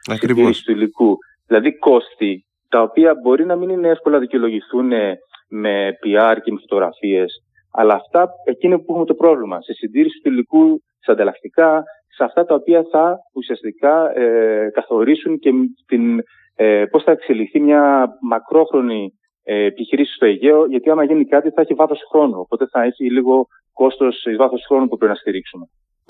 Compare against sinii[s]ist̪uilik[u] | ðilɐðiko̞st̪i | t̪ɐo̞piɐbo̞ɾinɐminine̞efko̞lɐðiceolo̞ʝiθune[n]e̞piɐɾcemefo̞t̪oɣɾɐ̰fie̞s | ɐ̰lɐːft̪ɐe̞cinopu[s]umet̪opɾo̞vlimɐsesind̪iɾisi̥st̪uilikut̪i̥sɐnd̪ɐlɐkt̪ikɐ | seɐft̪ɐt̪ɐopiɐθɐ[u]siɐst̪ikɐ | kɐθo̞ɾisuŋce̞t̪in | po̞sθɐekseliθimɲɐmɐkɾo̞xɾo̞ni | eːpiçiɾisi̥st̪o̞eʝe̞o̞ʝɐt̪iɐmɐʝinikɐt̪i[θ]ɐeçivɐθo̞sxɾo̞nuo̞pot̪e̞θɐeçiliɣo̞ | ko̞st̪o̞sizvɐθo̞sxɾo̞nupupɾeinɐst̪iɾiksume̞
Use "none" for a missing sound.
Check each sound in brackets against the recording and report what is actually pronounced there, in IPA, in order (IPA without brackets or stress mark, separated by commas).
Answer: s, u, m, x, u, θ